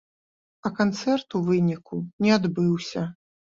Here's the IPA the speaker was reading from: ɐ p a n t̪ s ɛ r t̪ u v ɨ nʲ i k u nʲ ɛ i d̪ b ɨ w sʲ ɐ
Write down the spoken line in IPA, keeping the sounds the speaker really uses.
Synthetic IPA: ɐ k a n t̪ s ɛ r t̪ u v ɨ nʲ i k u nʲ ɛ a d̪ b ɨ w sʲ ɐ